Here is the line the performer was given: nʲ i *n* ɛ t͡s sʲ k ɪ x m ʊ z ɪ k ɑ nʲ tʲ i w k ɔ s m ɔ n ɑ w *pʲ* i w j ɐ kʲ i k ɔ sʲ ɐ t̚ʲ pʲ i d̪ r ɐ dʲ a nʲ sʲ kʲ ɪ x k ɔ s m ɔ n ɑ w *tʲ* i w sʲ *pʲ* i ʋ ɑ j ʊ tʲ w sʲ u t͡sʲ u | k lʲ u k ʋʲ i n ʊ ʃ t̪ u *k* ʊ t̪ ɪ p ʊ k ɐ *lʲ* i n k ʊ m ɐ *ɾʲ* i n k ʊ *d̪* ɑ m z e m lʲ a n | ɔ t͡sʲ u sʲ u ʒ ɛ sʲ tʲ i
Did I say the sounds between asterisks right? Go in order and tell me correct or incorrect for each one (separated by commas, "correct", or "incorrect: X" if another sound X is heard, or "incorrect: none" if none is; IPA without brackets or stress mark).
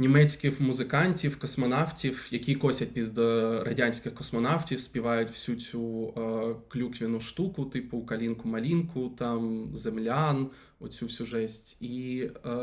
incorrect: m, incorrect: tʲ, correct, correct, correct, correct, incorrect: lʲ, incorrect: t̪